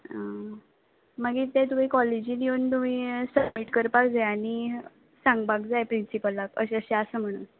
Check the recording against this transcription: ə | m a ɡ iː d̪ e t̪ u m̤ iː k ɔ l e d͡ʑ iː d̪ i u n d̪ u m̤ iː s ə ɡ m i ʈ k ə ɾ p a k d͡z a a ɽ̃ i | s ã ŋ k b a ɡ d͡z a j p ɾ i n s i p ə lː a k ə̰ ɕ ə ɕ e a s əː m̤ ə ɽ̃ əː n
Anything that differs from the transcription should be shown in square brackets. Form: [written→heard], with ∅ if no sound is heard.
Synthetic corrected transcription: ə | m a ɡ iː [d̪→t̪] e t̪ u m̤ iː k ɔ l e d͡ʑ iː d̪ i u n [d̪→t̪] u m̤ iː s ə [ɡ→b] m i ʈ k ə ɾ p a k d͡z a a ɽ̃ i | s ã ŋ [k→ɡ] b a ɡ d͡z a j p ɾ i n s i p ə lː a k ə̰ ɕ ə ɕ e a s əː m̤ ə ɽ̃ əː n